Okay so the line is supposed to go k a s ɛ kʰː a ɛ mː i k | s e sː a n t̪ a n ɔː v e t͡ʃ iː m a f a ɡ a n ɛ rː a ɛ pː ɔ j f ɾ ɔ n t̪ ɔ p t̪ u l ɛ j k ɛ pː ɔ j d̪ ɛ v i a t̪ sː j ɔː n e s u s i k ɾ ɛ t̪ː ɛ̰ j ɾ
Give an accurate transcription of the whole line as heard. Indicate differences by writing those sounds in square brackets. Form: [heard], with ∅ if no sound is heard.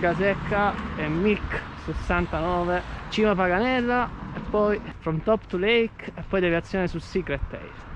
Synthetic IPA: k a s ɛ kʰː a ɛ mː i k | s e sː a n t̪ a n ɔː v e t͡ʃ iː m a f a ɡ a n ɛ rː a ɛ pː ɔ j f ɾ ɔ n t̪ ɔ p t̪ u l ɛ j k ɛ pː ɔ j d̪ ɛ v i a t̪ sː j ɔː n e s u s i k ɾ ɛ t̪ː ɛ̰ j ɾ